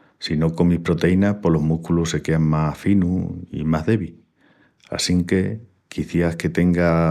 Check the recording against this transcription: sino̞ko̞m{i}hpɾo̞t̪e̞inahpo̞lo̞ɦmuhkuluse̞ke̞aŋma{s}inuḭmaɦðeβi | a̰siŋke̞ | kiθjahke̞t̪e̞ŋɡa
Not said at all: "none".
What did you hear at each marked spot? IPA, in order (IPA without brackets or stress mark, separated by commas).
i, f